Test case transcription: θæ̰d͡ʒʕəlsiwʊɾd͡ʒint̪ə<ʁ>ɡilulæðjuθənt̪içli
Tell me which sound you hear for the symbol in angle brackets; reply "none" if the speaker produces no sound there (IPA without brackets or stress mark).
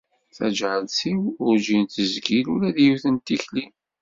z